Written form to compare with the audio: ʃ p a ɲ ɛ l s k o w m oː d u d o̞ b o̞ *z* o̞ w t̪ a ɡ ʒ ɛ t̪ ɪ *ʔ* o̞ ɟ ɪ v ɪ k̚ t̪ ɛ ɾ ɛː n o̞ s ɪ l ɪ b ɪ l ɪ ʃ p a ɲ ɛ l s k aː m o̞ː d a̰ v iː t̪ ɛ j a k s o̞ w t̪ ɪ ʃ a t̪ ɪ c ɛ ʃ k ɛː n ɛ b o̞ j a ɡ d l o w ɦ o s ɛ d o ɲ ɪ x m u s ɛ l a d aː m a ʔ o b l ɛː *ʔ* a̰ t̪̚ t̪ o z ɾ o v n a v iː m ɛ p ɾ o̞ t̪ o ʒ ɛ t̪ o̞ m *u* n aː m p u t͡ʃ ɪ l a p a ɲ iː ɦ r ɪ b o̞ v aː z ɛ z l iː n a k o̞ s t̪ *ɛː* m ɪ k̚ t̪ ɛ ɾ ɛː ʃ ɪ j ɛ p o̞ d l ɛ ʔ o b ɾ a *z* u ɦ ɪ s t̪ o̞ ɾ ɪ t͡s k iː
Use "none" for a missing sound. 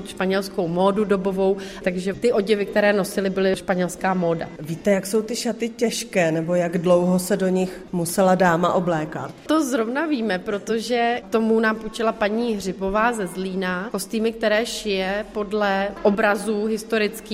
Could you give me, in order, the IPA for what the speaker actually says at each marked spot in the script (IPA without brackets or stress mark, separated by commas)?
v, ʔ, k, u, iː, z